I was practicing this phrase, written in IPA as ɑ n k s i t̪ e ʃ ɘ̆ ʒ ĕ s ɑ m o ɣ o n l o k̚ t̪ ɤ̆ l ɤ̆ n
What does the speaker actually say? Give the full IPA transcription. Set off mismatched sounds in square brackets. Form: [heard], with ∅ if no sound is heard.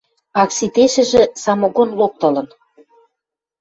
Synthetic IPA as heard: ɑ [∅] k s i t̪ e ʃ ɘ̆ ʒ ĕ s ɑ m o ɣ o n l o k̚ t̪ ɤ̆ l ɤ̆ n